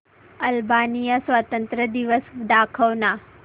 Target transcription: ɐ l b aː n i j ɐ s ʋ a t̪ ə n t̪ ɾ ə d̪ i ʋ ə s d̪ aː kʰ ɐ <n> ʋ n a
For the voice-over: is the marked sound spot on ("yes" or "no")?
no